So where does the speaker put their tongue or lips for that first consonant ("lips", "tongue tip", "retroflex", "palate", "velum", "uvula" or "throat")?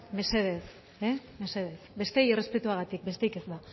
lips